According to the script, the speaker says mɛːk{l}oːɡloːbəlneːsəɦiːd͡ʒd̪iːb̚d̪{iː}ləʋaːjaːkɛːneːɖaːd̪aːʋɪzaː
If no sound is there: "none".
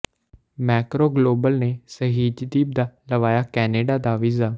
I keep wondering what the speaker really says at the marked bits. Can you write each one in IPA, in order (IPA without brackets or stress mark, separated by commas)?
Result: ɾ, aː